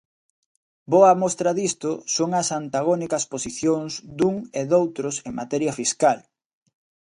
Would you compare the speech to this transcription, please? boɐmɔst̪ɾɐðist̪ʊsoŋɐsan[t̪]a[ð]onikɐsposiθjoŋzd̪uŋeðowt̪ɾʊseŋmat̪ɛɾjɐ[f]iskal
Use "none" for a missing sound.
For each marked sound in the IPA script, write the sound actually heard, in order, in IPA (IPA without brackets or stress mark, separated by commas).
t̪, ɣ, f